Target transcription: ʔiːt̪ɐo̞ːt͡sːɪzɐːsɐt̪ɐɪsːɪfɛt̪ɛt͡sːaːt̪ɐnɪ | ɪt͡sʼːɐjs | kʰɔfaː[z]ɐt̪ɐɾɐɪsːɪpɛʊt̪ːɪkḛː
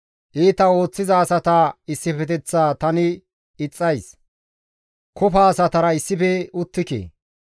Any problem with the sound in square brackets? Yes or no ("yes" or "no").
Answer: yes